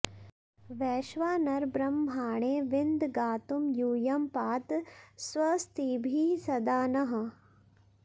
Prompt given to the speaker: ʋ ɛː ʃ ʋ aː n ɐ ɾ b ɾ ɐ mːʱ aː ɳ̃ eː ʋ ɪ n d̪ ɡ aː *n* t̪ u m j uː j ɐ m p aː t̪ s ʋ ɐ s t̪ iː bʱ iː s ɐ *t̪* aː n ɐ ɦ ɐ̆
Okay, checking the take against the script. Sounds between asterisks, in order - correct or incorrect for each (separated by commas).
incorrect, incorrect